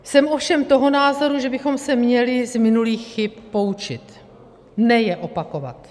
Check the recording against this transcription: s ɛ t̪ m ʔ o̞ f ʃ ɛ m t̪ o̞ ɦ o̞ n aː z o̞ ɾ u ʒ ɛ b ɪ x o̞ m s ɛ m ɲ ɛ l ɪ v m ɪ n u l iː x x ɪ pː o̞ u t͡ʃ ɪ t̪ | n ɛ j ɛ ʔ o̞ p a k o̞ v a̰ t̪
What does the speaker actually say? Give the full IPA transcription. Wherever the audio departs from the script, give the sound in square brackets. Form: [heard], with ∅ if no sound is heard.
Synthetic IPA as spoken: s ɛ [∅] m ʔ o̞ f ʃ ɛ m t̪ o̞ ɦ o̞ n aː z o̞ ɾ u ʒ ɛ b ɪ x o̞ m s ɛ m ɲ ɛ l ɪ [z] m ɪ n u l iː x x ɪ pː o̞ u t͡ʃ ɪ t̪ | n ɛ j ɛ ʔ o̞ p a k o̞ v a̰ t̪